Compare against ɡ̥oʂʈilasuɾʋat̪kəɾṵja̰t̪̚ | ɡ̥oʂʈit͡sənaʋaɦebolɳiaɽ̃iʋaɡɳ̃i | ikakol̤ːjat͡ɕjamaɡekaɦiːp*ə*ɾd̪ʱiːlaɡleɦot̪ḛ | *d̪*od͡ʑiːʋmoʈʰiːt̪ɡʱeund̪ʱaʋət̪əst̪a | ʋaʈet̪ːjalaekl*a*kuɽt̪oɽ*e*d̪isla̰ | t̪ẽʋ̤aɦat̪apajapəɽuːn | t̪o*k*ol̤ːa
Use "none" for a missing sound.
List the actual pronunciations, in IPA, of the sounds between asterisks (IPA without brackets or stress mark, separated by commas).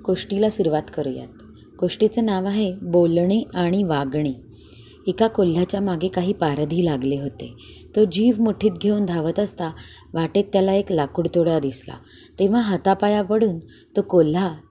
a, t̪, a, a, k